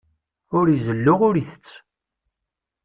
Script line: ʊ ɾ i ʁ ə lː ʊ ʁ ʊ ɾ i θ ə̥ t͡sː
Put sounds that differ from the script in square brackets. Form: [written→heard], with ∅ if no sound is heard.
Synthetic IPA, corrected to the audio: ʊ ɾ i [ʁ→z] ə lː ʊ ʁ ʊ ɾ i θ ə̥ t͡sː

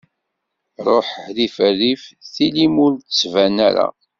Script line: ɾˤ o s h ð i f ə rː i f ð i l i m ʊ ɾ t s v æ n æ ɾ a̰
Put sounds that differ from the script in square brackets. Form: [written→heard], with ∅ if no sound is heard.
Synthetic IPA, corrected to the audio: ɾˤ o [s→ħ] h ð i f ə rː i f [ð→θ] i l i m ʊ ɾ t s v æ n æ ɾ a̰

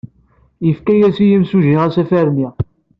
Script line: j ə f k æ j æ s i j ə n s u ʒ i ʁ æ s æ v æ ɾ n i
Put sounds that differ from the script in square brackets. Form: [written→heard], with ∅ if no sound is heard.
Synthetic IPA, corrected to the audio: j ə f k æ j æ s i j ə [n→m] s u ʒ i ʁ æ s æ [v→f] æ ɾ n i

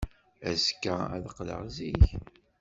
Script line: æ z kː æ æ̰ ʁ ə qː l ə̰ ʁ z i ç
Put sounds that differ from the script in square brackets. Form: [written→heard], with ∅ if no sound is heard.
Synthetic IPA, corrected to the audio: æ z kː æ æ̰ [ʁ→ð] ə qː l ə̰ ʁ z i ç

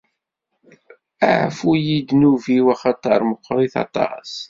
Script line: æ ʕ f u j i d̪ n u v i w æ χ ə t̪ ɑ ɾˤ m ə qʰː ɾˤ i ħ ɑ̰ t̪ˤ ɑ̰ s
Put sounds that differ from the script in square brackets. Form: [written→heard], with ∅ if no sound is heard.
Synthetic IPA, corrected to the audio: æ ʕ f u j i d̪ n u v i w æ χ [ə→ɑ] t̪ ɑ ɾˤ m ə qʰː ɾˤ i [ħ→θ] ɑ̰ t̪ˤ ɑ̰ s

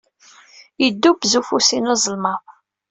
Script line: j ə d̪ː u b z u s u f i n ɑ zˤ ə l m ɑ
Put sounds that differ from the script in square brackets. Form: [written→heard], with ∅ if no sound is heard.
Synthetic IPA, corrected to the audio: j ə d̪ː u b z u [s→f] u [f→s] i n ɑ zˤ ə l m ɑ

